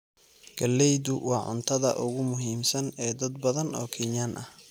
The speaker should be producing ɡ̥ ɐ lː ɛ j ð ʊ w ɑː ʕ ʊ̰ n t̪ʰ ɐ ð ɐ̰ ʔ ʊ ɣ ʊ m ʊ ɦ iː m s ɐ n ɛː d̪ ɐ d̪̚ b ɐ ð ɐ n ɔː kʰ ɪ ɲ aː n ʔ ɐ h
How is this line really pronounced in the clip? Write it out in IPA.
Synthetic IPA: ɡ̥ ɐ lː ɛ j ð ʊ w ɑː ʕ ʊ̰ n t̪ʰ ɐ ð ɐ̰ ʔ ʊ ɣ ʊ m ʊ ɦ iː m s ɐ n ɛː d̪ ɐ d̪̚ b ɐ ð ɐ n ɔː kʰ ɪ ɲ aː n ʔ ɐ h